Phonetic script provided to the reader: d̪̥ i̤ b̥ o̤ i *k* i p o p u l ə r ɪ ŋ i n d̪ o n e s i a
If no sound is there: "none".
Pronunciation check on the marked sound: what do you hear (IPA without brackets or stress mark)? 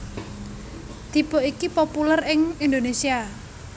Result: k